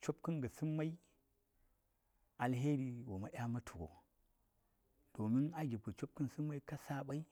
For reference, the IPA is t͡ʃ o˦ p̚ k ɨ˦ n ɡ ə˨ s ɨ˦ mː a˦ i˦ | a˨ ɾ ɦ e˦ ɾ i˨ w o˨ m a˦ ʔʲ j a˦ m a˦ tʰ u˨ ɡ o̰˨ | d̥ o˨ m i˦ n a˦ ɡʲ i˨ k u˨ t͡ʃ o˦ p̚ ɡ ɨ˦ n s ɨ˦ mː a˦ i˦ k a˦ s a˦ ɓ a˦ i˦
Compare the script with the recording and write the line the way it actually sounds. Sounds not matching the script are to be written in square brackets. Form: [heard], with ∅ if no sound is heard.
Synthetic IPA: t͡ʃ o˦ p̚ k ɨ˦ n ɡ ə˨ s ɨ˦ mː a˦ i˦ | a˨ [l] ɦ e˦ ɾ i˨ w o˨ m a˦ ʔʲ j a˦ m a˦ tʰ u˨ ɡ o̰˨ | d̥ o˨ m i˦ n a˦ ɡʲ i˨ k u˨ t͡ʃ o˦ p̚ [k] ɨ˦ n s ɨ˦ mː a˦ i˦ k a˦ s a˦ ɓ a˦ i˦